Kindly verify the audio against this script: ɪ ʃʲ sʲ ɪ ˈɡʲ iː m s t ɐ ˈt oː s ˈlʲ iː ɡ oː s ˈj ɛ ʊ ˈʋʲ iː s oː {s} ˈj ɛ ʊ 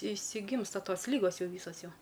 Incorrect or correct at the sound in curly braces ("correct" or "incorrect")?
correct